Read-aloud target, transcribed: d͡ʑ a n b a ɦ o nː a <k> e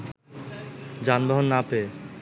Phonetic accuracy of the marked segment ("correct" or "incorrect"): incorrect